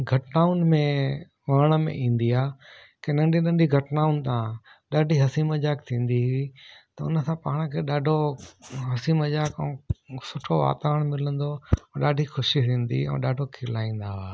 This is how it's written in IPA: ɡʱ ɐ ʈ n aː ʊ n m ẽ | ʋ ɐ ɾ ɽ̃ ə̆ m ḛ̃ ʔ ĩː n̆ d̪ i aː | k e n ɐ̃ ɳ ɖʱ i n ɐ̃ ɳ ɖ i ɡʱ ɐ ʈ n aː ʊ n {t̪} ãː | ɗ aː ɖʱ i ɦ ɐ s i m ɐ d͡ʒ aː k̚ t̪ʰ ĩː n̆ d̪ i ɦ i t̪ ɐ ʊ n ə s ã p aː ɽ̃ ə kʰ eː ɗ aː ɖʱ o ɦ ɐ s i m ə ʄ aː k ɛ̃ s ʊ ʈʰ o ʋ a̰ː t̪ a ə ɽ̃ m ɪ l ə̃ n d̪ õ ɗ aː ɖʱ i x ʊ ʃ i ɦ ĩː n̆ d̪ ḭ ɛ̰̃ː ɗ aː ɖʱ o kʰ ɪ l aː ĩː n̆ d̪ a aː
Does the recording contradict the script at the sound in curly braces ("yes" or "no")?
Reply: no